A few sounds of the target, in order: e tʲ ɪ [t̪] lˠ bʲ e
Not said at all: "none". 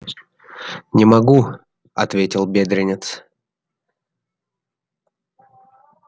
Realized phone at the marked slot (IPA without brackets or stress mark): none